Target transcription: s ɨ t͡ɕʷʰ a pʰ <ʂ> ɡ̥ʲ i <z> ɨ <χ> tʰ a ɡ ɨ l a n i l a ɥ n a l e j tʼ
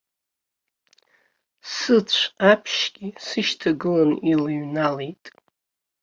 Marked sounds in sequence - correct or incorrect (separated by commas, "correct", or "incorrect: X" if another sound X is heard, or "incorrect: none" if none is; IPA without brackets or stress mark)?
incorrect: ʃ, incorrect: s, incorrect: ʃ